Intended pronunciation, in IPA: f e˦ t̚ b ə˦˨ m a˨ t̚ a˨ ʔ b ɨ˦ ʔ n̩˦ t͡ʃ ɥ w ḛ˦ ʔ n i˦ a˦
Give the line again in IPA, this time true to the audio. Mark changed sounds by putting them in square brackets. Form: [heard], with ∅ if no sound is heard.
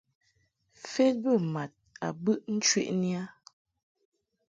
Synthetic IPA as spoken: f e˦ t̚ b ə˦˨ m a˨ t̚ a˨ [∅] b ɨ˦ ʔ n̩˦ t͡ʃ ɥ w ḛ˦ ʔ n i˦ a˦